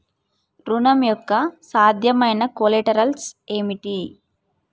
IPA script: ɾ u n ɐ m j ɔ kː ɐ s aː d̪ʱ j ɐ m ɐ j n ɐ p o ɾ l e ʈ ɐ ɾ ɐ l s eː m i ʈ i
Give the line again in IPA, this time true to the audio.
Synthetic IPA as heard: ɾ u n ɐ m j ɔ kː ɐ s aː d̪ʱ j ɐ m ɐ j n ɐ k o l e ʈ ɐ ɾ ɐ l s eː m i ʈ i